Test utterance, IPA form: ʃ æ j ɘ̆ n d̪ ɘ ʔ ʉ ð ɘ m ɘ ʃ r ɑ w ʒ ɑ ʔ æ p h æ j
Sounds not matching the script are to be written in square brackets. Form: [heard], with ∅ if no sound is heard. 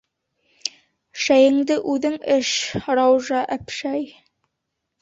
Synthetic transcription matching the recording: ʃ æ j ɘ̆ [ŋ] d̪ ɘ ʔ ʉ ð ɘ [ŋ] ɘ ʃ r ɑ w ʒ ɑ ʔ æ p [ʃ] æ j